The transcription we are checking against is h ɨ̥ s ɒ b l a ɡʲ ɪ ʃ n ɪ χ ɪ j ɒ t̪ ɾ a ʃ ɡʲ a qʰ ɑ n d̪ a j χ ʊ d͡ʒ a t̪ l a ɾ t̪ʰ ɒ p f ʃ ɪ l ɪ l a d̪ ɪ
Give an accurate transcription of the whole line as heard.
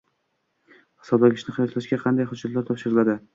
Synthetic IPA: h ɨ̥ s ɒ b l a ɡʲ ɪ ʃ n ɪ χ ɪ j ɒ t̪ l a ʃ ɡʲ a qʰ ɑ n d̪ a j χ ʊ d͡ʒ a t̪ l a ɾ t̪ʰ ɒ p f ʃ ɪ ɾ ɪ l a d̪ ɪ

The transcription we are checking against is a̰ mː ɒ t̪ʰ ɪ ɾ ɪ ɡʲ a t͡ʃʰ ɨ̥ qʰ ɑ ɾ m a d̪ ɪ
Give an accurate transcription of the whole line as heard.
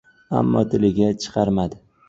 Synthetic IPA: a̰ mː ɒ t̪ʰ ɪ l ɪ ɡʲ a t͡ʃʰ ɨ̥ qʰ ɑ ɾ m a d̪ ɪ

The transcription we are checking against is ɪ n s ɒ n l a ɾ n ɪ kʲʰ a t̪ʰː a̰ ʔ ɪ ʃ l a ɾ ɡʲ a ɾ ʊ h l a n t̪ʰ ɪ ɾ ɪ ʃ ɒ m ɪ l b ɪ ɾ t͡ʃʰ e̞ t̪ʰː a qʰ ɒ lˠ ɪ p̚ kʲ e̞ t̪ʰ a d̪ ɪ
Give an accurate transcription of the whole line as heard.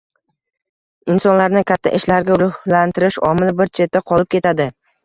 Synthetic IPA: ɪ n s ɒ n l a ɾ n ɪ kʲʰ a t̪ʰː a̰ ʔ ɪ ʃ l a ɾ ɡʲ a ɾ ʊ h l a n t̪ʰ ɪ ɾ ɪ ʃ ɒ m ɪ l b ɪ ɾ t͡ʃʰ e̞ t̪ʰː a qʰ ɒ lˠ ɪ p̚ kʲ e̞ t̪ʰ a d̪ ɪ

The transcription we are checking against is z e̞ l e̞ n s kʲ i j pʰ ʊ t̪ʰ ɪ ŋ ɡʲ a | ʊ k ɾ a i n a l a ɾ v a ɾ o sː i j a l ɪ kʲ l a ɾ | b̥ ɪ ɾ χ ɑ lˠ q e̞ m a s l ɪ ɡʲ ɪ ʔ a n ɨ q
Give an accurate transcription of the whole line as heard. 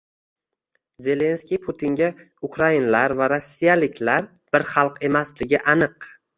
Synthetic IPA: z e̞ l e̞ n s kʲ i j pʰ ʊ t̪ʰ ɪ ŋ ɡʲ a | ʊ k ɾ a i n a l a ɾ v a ɾ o sː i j a l ɪ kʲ l a ɾ | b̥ ɪ ɾ χ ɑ lˠ q e̞ m a s l ɪ ɡʲ ɪ ʔ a n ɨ q

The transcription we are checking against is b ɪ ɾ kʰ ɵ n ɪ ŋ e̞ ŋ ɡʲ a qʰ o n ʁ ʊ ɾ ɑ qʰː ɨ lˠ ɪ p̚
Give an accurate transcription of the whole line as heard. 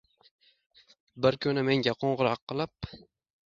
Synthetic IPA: b ɪ ɾ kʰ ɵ n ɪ m e̞ ŋ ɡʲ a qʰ o ɴ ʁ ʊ ɾ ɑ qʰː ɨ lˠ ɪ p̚

